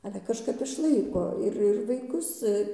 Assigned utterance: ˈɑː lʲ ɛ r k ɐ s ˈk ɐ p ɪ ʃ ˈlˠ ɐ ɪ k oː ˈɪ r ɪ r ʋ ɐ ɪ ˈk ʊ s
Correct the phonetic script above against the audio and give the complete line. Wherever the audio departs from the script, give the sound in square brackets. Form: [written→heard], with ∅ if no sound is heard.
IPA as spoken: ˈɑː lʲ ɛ [r→∅] k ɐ [s→ʃ] ˈk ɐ p ɪ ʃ ˈlˠ ɐ ɪ k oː ˈɪ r ɪ r ʋ ɐ ɪ ˈk ʊ s